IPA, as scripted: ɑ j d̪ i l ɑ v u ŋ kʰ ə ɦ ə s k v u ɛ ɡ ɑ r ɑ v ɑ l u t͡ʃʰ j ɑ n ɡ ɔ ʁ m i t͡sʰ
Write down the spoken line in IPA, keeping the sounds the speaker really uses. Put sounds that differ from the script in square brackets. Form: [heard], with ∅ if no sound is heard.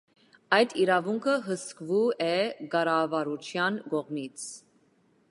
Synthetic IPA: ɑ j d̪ i [ɾ] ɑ v u ŋ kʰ ə ɦ ə s k v u ɛ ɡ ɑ [ɾ] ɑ v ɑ [ɾ] u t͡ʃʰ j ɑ n ɡ ɔ ʁ m i t͡sʰ

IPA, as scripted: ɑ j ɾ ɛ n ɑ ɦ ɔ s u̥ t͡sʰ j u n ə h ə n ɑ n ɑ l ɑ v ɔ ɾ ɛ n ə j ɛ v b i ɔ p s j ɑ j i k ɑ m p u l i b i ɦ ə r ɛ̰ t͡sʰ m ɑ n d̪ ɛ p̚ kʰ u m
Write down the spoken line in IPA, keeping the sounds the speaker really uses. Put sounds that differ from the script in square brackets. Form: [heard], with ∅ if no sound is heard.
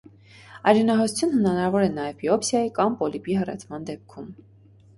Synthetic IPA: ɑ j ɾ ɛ n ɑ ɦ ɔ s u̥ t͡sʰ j u n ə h ə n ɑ n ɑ [ɾ] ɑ v ɔ ɾ ɛ n [ɑ] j ɛ v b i ɔ p s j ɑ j i k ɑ m p [ɔ] l i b i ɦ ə r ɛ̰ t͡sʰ m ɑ n d̪ ɛ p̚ kʰ u m

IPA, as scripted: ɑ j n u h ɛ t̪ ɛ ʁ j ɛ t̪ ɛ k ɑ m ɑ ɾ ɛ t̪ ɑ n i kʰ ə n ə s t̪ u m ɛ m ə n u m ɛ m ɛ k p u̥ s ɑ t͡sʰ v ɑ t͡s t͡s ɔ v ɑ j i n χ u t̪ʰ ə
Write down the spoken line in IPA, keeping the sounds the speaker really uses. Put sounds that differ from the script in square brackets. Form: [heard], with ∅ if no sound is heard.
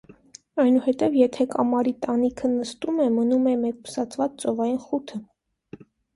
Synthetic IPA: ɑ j n u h ɛ t̪ ɛ [v] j ɛ [t̪ʰ] ɛ k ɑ m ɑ ɾ [i] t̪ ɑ n i kʰ ə n ə s t̪ u m ɛ m ə n u m ɛ m ɛ k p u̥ s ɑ t͡sʰ v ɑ t͡s t͡s ɔ v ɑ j i n χ u t̪ʰ ə

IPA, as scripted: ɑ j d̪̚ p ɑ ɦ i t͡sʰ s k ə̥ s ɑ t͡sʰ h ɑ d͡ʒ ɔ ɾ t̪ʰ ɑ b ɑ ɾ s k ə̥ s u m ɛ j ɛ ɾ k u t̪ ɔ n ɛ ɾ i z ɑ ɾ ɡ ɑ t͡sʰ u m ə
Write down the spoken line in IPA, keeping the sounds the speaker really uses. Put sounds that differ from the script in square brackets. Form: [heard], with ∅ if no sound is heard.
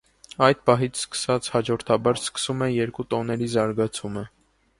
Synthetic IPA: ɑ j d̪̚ p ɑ ɦ i t͡sʰ s k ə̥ s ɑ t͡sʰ h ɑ d͡ʒ ɔ ɾ t̪ʰ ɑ b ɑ ɾ s k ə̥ s u m ɛ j ɛ ɾ k u t̪ ɔ n ɛ ɾ i z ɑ ɾ ɡ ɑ t͡sʰ u m ə

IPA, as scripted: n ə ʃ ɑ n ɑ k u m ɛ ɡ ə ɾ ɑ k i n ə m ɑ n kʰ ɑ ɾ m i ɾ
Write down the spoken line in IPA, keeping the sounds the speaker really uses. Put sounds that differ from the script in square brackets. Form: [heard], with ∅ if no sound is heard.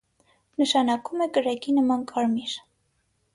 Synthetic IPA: n ə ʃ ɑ n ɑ k u m ɛ [k] ə ɾ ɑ k i n ə m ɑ n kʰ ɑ ɾ m i ɾ

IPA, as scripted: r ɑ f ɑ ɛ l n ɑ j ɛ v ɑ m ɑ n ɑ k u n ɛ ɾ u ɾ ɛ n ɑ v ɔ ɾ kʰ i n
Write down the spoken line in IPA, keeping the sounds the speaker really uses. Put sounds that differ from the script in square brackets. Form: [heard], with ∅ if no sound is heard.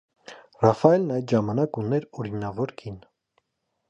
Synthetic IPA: r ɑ f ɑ ɛ l n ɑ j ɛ [ʒ] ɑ m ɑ n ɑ k u n ɛ ɾ [ɔ] ɾ [i] n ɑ v ɔ ɾ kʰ i n

